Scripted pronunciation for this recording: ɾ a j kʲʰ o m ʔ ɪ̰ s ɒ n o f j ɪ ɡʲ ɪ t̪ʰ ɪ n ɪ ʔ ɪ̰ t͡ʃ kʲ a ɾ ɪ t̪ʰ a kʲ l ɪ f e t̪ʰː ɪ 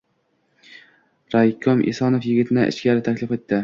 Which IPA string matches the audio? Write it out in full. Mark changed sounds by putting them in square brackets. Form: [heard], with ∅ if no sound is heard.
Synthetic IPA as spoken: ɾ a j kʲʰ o m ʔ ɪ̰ s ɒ n o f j ɪ ɡʲ ɪ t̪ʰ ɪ n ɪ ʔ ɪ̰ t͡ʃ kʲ a ɾ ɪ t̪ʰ a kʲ l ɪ f e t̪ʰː ɪ